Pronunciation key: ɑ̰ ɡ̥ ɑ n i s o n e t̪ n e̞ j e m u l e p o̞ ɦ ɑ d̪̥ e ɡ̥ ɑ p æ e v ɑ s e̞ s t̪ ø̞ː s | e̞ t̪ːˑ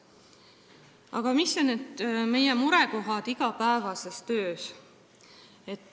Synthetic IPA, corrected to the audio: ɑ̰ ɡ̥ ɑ m i s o n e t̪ m e̞ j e m u ɾ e k o̞ ɦ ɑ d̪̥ i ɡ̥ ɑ p æ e v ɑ s e̞ s t̪ ø̞ː s | e̞ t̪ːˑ